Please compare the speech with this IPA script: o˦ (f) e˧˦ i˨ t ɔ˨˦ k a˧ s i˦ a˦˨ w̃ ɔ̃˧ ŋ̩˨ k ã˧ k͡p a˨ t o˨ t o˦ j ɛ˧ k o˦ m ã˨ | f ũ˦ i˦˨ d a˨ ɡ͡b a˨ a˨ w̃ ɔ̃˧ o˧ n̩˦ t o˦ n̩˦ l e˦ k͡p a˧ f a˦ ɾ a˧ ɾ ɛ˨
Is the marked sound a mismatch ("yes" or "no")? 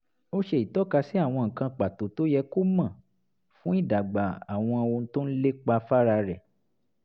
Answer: yes